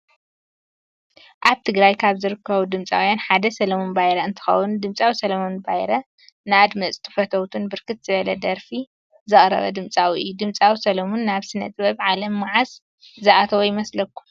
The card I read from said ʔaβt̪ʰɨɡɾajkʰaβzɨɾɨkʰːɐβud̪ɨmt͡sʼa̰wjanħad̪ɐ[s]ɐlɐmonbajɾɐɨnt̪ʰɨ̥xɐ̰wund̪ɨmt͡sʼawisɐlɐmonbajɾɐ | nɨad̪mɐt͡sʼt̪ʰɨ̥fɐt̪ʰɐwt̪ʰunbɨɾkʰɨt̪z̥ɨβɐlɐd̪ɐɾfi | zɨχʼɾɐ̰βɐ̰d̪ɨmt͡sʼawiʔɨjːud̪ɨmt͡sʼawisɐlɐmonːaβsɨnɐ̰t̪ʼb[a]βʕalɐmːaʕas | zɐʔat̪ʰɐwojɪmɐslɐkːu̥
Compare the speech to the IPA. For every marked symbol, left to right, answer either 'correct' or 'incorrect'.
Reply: correct, incorrect: ɐ

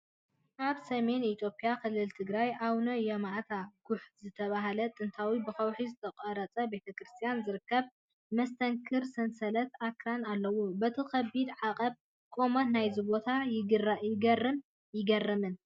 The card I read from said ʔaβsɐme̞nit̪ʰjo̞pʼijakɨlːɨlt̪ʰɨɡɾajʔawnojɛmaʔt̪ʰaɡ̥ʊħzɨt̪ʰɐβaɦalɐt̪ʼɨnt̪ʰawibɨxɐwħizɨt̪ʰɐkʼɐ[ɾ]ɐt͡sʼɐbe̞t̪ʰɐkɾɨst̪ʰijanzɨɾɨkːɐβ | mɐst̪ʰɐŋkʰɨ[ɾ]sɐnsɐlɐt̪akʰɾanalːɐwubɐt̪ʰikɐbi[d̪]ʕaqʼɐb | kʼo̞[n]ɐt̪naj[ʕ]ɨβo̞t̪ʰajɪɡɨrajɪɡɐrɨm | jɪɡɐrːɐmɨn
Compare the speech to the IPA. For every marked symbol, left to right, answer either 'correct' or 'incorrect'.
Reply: correct, correct, correct, incorrect: m, incorrect: z

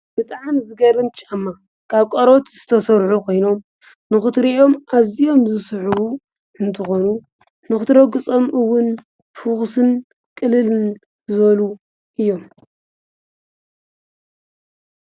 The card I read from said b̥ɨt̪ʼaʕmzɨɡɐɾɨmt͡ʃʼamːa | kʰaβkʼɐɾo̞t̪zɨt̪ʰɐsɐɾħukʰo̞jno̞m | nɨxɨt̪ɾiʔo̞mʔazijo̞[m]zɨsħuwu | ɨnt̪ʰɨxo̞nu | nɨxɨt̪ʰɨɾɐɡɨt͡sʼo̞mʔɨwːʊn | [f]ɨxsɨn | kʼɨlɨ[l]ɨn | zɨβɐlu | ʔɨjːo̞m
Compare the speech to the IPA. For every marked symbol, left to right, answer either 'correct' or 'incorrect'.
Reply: correct, correct, correct

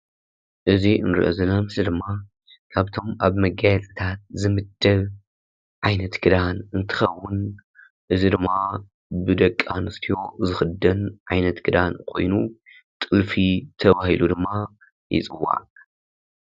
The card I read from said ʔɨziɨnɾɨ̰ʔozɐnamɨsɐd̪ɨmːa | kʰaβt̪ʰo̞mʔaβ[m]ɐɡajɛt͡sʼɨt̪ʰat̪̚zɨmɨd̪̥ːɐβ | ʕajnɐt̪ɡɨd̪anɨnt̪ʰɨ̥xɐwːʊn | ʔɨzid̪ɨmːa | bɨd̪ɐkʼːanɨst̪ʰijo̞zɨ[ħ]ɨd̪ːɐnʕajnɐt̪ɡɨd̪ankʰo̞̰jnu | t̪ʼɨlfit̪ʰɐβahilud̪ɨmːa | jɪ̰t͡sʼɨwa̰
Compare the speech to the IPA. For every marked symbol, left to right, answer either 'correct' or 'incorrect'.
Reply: correct, incorrect: x

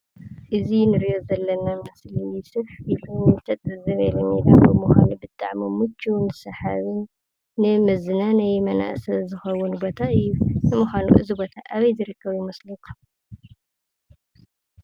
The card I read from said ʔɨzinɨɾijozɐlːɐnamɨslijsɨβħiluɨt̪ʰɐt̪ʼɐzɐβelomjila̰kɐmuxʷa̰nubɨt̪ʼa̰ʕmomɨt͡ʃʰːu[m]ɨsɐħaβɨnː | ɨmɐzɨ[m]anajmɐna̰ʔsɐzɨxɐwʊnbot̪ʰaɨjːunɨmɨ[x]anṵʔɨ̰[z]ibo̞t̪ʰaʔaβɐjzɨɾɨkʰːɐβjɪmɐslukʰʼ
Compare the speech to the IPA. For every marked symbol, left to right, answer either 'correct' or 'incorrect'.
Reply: incorrect: n, incorrect: n, correct, correct

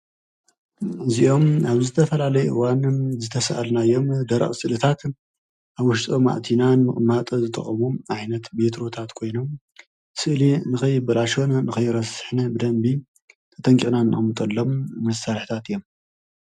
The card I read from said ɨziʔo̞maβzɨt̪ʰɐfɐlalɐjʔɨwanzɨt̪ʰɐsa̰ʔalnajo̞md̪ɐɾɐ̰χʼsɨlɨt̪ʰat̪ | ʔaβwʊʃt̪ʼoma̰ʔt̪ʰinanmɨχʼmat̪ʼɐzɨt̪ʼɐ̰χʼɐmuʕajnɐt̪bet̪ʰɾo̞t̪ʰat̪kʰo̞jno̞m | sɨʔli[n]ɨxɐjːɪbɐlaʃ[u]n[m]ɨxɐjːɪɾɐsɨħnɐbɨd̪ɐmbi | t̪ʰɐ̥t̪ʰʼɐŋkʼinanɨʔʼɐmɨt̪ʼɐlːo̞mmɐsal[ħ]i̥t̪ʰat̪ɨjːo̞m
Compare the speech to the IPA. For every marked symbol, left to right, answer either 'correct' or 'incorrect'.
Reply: correct, incorrect: o, incorrect: n, correct

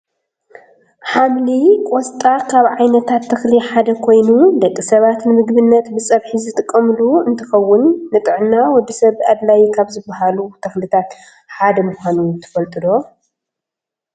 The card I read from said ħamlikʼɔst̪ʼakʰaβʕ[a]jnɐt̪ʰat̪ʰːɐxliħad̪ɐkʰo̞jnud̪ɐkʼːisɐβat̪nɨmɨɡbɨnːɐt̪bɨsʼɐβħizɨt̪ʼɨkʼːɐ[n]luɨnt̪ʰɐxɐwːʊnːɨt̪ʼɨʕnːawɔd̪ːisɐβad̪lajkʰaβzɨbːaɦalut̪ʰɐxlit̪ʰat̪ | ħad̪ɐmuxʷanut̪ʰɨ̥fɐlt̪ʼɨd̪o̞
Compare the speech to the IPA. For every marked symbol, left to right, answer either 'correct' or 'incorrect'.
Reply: correct, incorrect: m

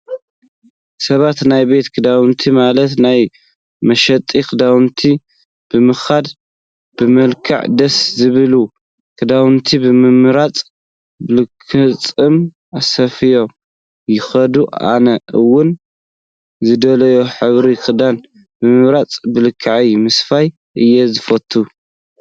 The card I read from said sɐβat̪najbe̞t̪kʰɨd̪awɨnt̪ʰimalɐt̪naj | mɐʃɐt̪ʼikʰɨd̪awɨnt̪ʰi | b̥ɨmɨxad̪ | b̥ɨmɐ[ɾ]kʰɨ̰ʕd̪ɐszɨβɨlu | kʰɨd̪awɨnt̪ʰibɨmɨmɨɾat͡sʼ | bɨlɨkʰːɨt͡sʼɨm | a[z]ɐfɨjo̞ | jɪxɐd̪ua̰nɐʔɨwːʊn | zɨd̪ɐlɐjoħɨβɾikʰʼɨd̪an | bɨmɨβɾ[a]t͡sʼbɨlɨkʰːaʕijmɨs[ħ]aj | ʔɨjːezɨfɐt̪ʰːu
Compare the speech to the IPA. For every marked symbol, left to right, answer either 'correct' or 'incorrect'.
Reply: incorrect: l, incorrect: s, correct, incorrect: f

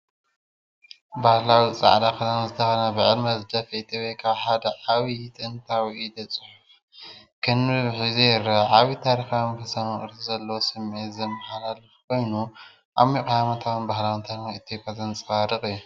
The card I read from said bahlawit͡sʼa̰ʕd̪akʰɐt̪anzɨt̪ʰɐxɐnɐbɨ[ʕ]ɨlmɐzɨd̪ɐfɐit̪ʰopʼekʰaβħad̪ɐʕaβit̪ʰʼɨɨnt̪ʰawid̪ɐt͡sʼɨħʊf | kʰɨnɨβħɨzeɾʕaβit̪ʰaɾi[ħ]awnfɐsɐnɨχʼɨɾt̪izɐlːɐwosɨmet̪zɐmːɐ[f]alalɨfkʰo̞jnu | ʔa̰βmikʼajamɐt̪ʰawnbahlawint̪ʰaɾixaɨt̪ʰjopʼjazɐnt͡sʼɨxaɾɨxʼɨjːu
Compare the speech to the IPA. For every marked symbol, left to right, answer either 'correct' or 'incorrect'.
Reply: correct, incorrect: x, incorrect: ħ

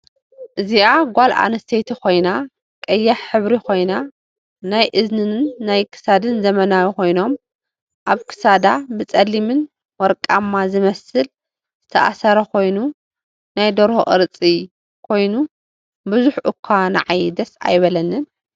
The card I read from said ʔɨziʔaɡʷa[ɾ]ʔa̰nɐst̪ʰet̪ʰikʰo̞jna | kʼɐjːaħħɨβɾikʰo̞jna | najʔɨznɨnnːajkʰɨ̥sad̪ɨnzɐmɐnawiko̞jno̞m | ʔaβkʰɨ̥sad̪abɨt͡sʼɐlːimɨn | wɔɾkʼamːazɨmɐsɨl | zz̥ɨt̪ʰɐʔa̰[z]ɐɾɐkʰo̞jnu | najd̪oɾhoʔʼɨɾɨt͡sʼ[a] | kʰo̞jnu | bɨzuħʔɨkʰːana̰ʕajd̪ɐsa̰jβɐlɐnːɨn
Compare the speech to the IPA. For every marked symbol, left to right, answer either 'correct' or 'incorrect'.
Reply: incorrect: l, incorrect: s, incorrect: i

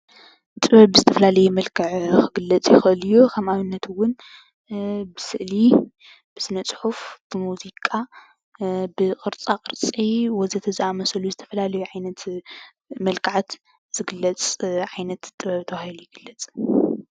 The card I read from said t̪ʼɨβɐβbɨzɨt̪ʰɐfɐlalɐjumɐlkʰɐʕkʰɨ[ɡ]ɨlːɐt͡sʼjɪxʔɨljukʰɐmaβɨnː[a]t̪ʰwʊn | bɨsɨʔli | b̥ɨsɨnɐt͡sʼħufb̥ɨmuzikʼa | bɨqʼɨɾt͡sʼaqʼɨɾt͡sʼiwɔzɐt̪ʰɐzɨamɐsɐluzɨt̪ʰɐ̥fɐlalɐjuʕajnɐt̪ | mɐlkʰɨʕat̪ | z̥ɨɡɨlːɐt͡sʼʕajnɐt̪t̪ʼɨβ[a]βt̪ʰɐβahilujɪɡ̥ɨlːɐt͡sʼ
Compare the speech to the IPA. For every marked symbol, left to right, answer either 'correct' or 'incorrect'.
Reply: correct, incorrect: ɐ, incorrect: ɐ

